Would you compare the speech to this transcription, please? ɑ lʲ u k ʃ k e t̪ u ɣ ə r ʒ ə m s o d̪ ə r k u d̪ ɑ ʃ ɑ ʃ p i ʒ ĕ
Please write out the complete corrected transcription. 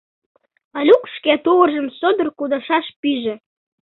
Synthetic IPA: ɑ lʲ u k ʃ k e t̪ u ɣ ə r ʒ ə m s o d̪ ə r k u d̪ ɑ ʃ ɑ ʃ p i ʒ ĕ